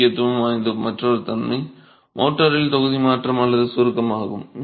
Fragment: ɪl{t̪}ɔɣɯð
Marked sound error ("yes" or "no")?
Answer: no